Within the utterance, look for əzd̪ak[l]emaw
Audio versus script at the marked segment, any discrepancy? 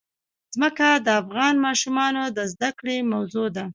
yes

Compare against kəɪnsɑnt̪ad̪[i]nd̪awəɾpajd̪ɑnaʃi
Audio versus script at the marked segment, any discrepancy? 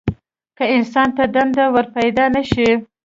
yes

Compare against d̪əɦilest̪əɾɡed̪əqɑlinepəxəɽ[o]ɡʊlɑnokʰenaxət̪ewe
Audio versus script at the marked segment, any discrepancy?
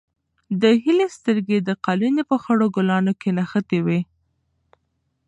no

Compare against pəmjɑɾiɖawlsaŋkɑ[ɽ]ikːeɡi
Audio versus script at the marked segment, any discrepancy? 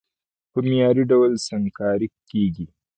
yes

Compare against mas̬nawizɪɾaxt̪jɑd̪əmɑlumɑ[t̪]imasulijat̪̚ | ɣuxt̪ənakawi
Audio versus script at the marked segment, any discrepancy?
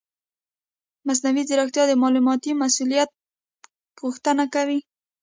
no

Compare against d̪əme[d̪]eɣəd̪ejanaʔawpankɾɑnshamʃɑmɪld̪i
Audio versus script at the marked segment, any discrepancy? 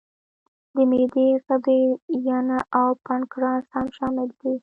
no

